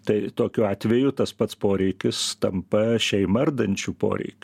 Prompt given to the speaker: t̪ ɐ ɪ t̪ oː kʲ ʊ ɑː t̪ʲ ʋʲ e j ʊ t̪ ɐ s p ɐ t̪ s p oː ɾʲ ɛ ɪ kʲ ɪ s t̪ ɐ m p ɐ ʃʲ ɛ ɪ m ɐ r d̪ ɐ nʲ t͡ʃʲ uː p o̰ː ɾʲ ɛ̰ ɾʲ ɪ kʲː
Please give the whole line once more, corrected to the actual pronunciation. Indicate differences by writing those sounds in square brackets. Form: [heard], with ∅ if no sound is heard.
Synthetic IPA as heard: t̪ ɐ ɪ t̪ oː kʲ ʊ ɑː t̪ʲ ʋʲ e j ʊ t̪ ɐ s p ɐ t̪ s p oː ɾʲ ɛ ɪ kʲ ɪ s t̪ ɐ m p ɐ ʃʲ ɛ ɪ m ɐ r d̪ ɐ nʲ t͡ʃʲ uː p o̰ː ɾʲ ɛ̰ [∅] ɪ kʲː